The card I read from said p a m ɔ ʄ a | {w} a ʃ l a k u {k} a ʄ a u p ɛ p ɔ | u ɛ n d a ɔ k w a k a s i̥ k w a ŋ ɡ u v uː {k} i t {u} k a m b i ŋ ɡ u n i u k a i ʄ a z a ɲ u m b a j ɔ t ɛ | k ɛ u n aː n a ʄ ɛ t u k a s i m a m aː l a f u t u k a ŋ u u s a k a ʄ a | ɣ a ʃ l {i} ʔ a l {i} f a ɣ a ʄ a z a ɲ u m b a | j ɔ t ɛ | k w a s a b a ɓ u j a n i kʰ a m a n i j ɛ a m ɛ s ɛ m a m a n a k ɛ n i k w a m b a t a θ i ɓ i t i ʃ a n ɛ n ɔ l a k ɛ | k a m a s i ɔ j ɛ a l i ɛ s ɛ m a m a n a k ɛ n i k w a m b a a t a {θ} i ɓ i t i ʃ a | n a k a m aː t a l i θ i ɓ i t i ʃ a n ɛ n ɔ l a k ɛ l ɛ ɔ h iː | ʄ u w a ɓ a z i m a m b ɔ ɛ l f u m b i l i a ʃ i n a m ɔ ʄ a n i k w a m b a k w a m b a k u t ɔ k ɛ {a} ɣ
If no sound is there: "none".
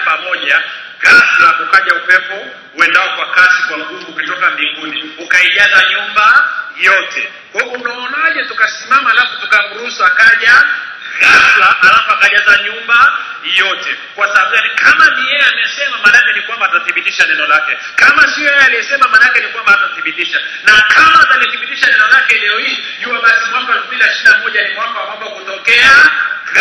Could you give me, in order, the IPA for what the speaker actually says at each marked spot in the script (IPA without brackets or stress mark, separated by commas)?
ɣ, k, k, ɔ, a, a, θ, a